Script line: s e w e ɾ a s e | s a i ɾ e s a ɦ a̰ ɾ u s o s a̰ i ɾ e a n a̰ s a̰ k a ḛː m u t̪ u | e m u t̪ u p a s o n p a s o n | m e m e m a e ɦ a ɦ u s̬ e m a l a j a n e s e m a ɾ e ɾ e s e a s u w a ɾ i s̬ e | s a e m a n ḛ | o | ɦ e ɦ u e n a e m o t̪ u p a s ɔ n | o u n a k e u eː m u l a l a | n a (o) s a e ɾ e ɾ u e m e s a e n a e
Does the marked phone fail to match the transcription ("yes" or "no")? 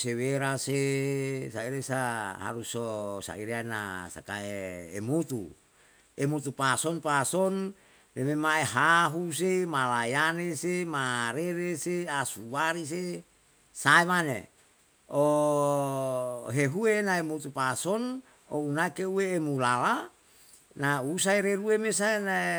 yes